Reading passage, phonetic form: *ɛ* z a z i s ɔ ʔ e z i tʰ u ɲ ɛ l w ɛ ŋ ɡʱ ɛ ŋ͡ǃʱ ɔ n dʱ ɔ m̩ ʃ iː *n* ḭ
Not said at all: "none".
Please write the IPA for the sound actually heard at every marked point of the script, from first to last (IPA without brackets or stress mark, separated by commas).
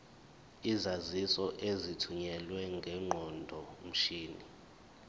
i, n